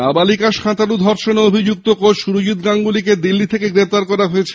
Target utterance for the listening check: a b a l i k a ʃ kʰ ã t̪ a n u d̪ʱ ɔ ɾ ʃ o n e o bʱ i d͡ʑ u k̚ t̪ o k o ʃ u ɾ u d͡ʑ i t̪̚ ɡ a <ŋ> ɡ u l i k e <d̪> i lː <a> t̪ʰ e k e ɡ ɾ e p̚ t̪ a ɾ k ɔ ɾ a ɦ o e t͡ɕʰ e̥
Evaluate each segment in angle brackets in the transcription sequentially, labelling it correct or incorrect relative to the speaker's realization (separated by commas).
correct, correct, incorrect